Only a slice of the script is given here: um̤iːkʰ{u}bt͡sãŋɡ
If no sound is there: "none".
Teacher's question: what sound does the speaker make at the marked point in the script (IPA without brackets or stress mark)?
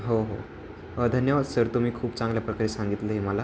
uː